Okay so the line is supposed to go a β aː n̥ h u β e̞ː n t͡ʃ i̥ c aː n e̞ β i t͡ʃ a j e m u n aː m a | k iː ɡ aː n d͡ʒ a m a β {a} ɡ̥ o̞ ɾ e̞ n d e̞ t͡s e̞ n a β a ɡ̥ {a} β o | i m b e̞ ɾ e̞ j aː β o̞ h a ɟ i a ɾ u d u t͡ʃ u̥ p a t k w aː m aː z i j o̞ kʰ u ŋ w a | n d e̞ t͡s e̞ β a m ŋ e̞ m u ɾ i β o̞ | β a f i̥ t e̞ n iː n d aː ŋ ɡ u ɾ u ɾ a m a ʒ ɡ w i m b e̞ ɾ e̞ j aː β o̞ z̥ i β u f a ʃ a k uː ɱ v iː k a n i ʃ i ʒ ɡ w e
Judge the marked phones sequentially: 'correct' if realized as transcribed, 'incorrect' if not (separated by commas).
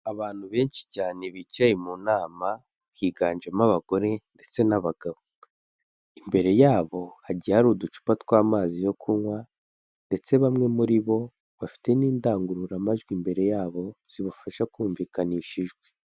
correct, correct